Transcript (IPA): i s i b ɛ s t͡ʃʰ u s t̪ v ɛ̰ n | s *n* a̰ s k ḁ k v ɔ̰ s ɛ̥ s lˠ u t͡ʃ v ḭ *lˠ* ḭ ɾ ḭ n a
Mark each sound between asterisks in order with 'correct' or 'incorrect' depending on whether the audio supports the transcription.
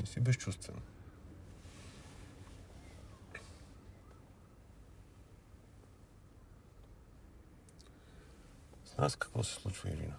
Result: correct, incorrect: none

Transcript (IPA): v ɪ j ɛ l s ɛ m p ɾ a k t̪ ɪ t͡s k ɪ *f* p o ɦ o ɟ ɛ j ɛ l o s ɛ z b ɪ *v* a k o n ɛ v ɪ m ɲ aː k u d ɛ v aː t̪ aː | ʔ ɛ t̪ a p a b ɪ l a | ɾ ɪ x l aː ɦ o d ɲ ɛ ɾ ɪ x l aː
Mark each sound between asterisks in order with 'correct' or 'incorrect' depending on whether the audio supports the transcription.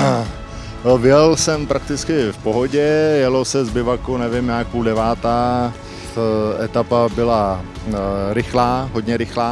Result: correct, correct

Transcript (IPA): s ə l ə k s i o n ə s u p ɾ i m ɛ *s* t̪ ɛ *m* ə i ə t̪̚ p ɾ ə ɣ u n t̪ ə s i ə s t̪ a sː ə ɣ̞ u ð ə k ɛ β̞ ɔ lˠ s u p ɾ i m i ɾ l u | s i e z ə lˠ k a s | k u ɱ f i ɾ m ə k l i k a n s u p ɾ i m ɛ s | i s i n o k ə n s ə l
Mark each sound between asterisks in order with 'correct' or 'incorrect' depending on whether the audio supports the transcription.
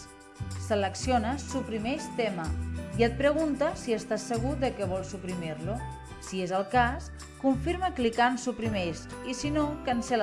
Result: incorrect: ʃ, correct

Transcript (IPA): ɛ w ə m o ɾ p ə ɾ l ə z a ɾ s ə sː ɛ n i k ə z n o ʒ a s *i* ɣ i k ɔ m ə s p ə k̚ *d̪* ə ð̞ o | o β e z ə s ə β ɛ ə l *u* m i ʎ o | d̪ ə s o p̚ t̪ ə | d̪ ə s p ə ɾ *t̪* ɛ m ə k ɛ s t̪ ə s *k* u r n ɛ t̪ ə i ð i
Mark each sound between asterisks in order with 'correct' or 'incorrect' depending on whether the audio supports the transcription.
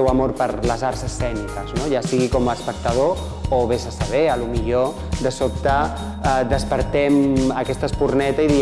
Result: correct, incorrect: t̪, correct, correct, incorrect: p

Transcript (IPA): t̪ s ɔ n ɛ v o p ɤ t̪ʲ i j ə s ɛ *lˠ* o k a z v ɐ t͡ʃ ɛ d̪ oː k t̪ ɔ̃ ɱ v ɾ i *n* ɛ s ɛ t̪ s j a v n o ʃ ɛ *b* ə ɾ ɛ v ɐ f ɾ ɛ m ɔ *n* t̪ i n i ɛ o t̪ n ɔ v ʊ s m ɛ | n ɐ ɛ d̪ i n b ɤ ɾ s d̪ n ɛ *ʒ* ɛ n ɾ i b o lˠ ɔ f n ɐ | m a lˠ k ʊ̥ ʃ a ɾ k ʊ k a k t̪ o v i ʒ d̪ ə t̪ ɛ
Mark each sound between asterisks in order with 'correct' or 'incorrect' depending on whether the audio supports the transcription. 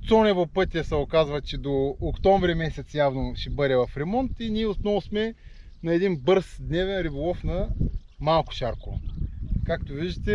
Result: incorrect: none, incorrect: m, correct, correct, incorrect: v

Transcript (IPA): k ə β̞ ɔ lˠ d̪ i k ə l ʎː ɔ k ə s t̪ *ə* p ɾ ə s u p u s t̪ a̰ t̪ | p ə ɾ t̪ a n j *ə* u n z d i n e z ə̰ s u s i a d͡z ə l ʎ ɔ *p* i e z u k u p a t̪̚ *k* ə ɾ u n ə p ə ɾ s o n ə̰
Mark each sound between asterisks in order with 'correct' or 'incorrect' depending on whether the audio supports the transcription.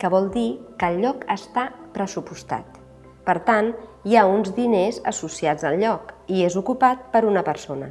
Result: incorrect: a, incorrect: a, incorrect: k, incorrect: p

